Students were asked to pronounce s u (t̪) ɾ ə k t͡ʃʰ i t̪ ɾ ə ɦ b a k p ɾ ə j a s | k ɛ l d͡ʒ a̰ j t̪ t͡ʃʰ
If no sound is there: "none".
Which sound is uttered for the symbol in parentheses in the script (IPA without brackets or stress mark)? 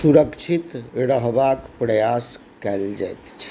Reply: none